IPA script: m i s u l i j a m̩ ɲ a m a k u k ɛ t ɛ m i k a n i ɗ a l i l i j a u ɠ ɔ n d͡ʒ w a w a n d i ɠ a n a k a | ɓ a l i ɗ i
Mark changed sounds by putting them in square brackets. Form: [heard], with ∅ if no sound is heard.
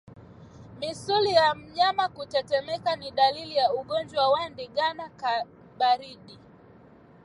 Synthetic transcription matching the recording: m i s u l i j a m̩ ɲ a m a k u [t] ɛ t ɛ m [ɛ] k a n i ɗ a l i l i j a u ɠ ɔ n d͡ʒ w a w a n d i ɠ a n a k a | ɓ a [ɾ] i ɗ i